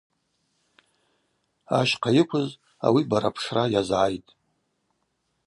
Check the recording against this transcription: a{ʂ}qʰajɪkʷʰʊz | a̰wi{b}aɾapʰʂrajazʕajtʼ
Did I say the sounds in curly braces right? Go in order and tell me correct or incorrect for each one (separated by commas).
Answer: incorrect, correct